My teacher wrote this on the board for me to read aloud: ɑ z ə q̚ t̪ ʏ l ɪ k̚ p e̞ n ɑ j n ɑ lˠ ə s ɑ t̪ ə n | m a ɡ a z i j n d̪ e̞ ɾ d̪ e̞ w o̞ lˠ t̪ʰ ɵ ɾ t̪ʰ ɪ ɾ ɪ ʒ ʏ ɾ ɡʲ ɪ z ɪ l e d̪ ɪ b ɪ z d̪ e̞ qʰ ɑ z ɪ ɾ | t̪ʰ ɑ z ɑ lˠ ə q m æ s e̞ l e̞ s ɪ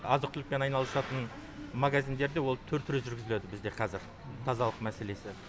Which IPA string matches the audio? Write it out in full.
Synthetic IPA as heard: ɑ z ə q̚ t̪ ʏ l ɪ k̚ p e̞ n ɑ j n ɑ lˠ ə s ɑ t̪ ə n | m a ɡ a z i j n d̪ e̞ ɾ d̪ e̞ w o̞ lˠ t̪ʰ ɵ ɾ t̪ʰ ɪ ɾ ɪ ʒ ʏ ɾ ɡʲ ɪ z ɪ l e d̪ ɪ b ɪ z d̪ e̞ qʰ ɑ z ɪ ɾ | t̪ʰ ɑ z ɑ lˠ ə q m æ s e̞ l e̞ s ɪ